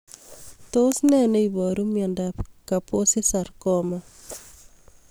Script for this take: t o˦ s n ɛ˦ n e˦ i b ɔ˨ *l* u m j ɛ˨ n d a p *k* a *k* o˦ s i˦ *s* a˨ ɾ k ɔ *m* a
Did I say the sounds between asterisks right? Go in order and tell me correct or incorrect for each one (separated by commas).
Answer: incorrect, correct, incorrect, correct, correct